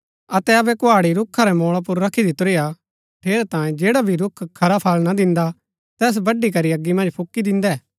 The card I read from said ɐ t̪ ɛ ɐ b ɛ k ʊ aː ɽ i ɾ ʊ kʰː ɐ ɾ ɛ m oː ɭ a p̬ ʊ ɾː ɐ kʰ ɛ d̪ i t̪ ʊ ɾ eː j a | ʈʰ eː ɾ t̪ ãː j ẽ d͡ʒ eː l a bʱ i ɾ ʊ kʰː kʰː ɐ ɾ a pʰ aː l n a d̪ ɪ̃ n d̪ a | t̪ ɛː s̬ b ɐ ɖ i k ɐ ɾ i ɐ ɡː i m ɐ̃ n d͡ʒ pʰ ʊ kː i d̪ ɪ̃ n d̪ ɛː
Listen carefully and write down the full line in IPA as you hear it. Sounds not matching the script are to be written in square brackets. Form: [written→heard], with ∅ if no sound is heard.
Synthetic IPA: ɐ t̪ ɛ ɐ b ɛ k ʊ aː ɽ i ɾ ʊ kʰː [ɐ→a] ɾ ɛ m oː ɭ a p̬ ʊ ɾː ɐ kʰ [ɛ→i] d̪ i t̪ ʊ ɾ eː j a | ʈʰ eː ɾ t̪ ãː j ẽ d͡ʒ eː [l→ɽ] a bʱ i ɾ ʊ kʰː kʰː ɐ ɾ a pʰ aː l n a d̪ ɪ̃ n d̪ a | t̪ ɛː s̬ b ɐ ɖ i k ɐ ɾ i ɐ ɡː i m ɐ̃ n d͡ʒ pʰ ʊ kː i d̪ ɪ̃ n d̪ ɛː